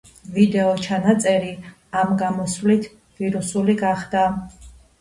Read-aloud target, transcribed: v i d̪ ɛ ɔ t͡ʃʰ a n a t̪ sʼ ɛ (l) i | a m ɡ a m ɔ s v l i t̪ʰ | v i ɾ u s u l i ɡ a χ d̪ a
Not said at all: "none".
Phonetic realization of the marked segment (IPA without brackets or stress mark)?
ɾ